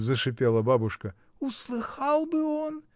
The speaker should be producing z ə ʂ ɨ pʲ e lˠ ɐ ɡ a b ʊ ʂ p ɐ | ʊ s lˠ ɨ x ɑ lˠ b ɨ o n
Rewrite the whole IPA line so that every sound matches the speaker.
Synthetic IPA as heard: z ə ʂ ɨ pʲ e lˠ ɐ b a b ʊ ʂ k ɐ | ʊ s lˠ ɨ x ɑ lˠ b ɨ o n